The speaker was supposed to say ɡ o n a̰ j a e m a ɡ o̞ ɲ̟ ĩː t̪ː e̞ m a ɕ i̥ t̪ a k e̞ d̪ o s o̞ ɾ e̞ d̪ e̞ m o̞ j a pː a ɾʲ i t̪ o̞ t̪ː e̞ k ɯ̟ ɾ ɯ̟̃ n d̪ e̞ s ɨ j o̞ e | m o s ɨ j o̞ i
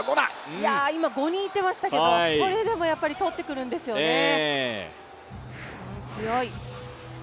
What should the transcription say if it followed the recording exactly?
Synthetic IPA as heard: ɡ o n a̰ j a i m a ɡ o̞ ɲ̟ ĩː t̪ː e̞ m a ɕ i̥ t̪ a k e̞ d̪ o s o̞ ɾ e̞ d̪ e̞ m o̞ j a pː a ɾʲ i t̪ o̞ t̪ː e̞ k ɯ̟ ɾ ɯ̟̃ n d̪ e̞ s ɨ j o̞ e | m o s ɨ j o̞ i